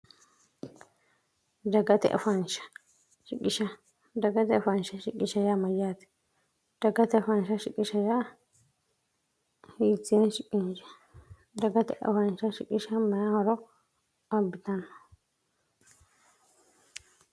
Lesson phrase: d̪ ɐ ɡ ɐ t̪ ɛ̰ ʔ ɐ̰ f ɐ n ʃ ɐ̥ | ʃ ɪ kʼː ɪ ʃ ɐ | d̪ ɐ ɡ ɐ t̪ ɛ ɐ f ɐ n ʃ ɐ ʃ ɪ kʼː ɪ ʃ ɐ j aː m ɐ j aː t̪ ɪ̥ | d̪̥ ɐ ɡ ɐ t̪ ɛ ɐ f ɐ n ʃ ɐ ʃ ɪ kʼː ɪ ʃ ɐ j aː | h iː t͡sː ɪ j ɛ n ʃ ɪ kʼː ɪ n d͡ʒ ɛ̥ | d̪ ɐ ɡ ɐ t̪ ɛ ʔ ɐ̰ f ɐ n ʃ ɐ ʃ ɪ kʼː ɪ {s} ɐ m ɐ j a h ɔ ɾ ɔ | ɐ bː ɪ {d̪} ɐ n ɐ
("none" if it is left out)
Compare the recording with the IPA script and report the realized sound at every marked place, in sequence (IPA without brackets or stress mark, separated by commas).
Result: ʃ, t̪